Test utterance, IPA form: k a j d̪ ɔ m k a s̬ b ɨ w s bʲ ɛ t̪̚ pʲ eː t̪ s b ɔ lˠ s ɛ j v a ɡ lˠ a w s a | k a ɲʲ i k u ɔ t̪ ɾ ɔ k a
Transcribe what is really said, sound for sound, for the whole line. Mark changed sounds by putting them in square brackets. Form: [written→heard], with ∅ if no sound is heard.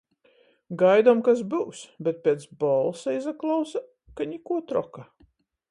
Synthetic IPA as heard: [k→ɡ] a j d̪ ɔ m k a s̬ b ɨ w s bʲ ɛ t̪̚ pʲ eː t̪ s b ɔ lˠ s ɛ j [v→z] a [ɡ→k] lˠ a w s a | k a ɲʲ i k u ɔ t̪ ɾ ɔ k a